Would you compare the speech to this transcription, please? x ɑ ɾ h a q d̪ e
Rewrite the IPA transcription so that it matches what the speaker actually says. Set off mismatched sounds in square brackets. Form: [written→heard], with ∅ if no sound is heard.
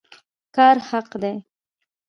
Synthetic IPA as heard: [x→k] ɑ ɾ h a q d̪ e